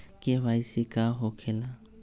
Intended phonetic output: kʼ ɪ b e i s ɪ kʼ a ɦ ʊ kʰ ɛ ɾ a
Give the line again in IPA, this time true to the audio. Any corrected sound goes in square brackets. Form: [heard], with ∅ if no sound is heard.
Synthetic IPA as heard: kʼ ɪ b [a] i s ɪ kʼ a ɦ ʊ kʰ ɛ [l] a